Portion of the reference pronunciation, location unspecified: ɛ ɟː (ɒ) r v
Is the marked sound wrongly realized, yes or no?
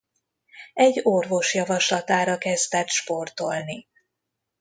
yes